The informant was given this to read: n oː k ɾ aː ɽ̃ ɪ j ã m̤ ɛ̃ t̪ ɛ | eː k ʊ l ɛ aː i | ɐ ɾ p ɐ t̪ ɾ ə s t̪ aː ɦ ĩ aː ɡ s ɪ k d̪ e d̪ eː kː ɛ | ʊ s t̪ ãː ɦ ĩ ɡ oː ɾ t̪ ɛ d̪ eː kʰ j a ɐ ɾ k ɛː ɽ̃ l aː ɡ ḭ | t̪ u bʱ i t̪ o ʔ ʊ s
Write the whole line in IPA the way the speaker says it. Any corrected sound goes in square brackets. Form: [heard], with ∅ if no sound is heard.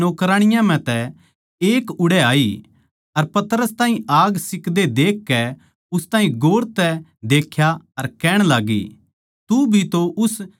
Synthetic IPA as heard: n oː k ɾ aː ɽ̃ ɪ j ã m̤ ɛ̃ t̪ ɛ | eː k ʊ [ɽ] ɛ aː i | ɐ ɾ p ɐ t̪ ɾ ə s t̪ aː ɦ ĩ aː ɡ s ɪ k d̪ e d̪ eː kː ɛ | ʊ s t̪ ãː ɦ ĩ ɡ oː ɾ t̪ ɛ d̪ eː kʰ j a ɐ ɾ k ɛː ɽ̃ l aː ɡ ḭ | t̪ u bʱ i t̪ o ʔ ʊ s